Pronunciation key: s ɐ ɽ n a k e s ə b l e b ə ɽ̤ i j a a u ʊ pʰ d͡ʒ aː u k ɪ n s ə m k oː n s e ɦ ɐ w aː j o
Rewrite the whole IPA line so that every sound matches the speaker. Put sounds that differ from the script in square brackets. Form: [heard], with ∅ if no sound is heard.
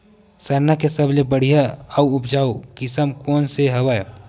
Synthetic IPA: s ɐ [ɾ] n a k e s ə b l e b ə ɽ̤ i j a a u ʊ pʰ d͡ʒ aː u k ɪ [∅] s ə m k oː n s e ɦ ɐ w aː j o